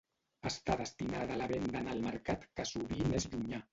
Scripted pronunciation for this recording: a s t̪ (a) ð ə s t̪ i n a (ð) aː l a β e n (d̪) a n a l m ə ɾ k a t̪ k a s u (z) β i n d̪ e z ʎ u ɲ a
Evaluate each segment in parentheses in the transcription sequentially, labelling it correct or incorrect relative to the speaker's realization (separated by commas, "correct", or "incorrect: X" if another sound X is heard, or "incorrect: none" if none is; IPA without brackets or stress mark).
correct, correct, correct, incorrect: none